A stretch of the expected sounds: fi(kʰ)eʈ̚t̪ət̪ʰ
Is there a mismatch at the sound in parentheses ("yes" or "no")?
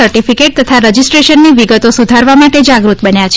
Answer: yes